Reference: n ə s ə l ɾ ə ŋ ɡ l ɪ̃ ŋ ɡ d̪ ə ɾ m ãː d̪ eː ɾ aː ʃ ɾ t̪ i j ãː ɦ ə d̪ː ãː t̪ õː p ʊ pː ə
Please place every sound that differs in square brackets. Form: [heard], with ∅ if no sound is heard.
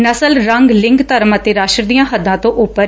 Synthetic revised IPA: n ə s ə l ɾ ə ŋ ɡ l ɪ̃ ŋ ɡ [t̪] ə ɾ m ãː [t̪] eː ɾ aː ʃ ɾ [d̪] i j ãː ɦ ə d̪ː ãː t̪ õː [ʔ] ʊ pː ə